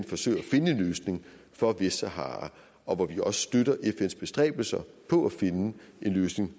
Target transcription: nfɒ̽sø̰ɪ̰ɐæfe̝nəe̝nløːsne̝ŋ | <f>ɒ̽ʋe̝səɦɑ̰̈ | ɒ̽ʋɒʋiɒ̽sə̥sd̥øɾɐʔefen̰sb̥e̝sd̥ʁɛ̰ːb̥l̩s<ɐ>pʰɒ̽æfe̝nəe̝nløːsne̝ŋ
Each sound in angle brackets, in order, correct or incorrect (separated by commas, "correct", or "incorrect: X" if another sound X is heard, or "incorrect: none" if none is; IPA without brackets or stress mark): correct, correct